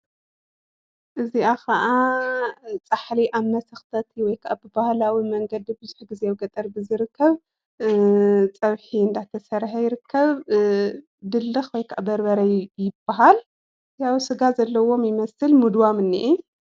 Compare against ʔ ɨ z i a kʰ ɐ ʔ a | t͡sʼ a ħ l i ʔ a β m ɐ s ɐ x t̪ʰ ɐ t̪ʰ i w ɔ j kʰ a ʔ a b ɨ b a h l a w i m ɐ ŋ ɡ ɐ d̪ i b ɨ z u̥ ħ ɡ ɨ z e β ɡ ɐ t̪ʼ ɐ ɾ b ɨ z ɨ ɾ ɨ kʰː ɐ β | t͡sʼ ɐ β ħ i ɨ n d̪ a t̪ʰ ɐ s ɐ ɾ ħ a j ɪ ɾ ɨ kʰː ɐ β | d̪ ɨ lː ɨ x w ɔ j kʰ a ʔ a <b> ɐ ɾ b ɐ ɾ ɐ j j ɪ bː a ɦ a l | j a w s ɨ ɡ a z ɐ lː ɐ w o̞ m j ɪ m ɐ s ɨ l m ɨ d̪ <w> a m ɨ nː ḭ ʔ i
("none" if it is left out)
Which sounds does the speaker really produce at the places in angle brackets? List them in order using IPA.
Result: b, w

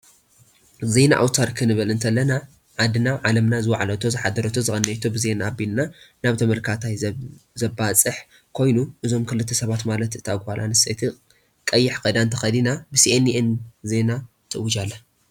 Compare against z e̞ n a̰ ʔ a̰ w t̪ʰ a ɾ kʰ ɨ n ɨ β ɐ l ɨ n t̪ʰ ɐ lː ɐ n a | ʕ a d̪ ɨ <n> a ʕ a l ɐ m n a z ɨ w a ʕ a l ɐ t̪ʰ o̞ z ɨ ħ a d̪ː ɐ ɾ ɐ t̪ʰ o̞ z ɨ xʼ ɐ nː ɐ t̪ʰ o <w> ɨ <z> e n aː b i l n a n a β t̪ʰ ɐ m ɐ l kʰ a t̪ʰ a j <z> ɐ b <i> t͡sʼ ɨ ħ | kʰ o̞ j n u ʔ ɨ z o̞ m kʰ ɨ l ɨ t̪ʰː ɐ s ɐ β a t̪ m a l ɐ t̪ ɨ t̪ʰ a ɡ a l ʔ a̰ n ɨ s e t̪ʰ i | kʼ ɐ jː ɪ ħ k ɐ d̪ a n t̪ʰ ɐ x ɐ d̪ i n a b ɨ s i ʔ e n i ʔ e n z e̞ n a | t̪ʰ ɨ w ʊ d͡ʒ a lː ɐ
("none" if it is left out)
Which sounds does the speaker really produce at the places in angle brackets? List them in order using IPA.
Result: n, b, z, z, a

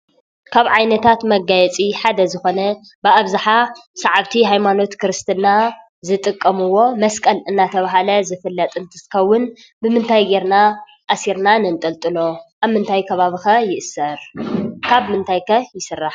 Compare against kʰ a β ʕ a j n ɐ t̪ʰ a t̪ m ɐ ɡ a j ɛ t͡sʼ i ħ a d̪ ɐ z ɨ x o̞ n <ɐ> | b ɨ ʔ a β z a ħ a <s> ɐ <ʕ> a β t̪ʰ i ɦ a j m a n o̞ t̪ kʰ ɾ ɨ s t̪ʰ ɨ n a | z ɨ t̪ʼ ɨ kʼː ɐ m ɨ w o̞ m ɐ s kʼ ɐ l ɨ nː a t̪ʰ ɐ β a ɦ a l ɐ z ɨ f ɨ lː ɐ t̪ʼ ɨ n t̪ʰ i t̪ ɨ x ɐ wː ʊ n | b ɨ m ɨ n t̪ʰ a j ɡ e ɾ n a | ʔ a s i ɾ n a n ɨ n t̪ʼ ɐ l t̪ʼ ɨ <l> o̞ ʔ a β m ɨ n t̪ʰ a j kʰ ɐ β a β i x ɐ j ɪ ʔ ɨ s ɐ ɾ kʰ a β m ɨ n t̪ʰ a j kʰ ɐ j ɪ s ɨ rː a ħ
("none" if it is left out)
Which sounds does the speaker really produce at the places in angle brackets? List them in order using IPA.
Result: ɐ, s, ʕ, l

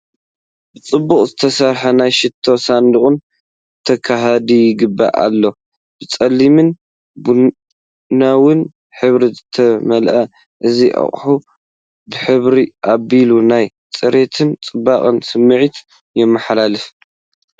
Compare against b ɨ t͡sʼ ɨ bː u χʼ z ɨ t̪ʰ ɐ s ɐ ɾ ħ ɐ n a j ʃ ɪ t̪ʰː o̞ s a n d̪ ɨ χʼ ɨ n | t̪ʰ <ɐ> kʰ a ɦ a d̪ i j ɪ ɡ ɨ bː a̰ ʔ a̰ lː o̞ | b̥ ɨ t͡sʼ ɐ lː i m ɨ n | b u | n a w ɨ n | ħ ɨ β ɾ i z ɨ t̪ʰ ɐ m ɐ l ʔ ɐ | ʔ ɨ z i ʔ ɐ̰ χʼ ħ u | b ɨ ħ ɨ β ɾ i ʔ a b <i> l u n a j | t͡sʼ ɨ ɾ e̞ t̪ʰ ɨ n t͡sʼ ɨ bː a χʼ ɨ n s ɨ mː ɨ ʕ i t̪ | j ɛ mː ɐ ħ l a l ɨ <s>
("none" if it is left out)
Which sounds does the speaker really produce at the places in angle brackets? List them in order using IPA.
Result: ɐ, i, f

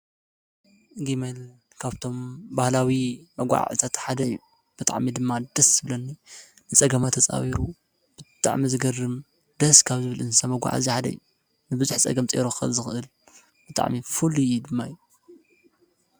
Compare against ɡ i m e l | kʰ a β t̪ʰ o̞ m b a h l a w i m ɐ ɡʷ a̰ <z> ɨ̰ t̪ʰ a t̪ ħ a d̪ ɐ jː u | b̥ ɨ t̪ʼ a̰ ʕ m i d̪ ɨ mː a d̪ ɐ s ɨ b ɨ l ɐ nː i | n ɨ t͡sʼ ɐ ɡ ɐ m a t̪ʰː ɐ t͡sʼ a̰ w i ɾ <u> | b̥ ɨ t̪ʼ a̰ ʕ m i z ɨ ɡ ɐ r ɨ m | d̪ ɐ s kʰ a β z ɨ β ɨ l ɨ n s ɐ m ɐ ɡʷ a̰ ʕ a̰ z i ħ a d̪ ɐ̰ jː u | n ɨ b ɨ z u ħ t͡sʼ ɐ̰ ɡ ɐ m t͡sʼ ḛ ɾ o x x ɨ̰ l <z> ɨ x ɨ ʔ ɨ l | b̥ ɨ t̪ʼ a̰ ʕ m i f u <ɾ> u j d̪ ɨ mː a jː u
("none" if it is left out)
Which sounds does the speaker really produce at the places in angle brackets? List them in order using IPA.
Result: ʕ, u, z, l

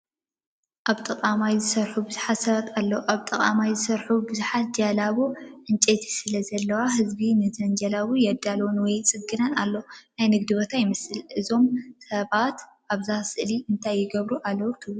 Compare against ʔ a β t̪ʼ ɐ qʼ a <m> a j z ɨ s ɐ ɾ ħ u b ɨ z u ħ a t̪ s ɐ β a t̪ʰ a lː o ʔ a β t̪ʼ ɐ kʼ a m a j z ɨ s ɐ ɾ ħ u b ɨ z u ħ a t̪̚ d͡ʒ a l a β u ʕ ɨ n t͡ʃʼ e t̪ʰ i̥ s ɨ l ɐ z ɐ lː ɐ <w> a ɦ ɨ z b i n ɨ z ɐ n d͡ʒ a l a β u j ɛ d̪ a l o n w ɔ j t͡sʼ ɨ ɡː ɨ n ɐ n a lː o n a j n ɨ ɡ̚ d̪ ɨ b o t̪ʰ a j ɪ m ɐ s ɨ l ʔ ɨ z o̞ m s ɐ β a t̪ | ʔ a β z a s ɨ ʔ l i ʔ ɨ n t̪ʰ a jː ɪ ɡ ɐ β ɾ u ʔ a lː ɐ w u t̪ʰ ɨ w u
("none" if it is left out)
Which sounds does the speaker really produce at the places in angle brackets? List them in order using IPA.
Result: m, w

